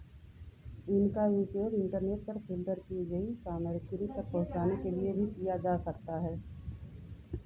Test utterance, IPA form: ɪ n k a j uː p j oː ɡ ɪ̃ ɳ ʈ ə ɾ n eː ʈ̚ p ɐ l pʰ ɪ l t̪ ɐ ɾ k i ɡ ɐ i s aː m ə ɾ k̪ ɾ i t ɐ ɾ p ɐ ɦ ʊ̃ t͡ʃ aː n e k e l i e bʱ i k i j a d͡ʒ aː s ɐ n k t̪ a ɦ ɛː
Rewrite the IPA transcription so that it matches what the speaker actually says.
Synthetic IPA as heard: ɪ n k a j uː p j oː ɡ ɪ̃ ɳ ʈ ə ɾ n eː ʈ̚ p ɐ ɾ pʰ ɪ l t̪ ə ɾ k i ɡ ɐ i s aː m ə ɾ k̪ ɾ i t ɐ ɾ p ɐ ɦ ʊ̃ t͡ʃ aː n e k e l i e bʱ i k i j a d͡ʒ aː s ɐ k t̪ a ɦ ɛː